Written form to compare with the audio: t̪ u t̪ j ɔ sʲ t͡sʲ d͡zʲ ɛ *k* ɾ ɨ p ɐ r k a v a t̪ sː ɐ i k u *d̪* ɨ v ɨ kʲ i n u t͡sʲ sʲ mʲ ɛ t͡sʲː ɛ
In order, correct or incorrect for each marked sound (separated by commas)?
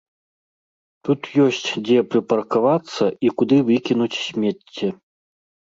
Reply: incorrect, correct